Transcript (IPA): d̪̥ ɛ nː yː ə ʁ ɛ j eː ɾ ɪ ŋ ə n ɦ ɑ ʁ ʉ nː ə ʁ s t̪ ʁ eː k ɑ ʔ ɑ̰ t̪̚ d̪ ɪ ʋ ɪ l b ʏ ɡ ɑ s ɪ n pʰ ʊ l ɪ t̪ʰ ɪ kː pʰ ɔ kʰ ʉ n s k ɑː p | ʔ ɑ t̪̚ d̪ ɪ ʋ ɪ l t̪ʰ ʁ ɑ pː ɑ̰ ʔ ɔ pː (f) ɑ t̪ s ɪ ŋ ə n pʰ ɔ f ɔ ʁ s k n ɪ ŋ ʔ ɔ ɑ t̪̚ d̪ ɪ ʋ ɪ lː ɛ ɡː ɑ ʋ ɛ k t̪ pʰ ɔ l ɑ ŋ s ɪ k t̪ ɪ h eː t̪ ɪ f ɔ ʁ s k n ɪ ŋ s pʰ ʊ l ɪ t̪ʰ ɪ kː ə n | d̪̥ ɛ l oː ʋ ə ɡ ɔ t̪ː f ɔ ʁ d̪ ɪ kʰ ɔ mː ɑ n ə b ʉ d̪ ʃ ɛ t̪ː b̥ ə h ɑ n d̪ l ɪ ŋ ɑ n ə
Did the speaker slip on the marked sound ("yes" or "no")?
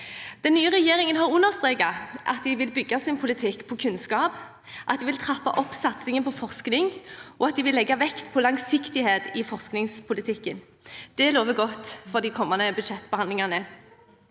yes